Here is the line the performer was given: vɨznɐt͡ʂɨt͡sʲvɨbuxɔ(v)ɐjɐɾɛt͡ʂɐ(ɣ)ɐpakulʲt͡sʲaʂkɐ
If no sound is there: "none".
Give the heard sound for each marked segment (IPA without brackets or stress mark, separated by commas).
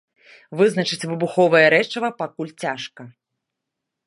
v, v